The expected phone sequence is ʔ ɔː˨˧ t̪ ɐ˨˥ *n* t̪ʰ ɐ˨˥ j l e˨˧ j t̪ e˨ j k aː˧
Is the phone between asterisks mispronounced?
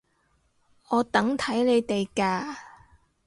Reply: yes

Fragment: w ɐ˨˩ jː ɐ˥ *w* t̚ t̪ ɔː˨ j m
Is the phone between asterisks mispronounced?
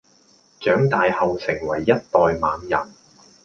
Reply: yes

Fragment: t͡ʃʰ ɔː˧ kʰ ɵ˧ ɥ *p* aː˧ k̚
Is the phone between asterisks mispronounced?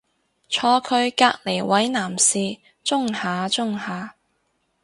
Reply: yes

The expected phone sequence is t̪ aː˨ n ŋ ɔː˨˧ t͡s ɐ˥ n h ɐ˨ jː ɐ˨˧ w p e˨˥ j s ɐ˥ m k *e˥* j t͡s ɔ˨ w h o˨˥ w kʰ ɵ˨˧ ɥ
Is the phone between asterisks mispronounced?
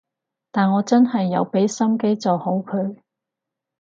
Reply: no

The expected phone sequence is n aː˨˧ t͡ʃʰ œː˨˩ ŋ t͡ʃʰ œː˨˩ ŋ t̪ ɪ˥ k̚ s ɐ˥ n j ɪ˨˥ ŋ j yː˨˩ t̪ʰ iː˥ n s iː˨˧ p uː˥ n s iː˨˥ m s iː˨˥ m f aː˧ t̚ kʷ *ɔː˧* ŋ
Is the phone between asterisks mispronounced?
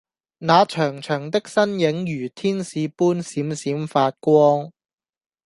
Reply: yes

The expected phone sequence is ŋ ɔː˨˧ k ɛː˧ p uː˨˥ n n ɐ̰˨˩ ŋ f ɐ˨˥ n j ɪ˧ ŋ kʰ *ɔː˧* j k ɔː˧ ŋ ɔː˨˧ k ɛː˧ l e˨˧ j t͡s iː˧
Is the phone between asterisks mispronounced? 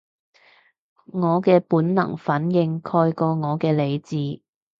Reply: no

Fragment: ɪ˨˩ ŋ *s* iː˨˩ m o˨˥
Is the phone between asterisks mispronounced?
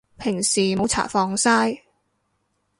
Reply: no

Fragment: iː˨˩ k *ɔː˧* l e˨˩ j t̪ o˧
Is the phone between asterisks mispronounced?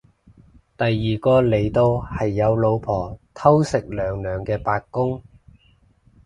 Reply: no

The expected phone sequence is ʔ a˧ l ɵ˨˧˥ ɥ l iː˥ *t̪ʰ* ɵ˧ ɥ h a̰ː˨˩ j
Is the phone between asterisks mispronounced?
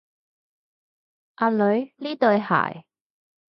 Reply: yes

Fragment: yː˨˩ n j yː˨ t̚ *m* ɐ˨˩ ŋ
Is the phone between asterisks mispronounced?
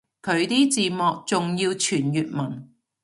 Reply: no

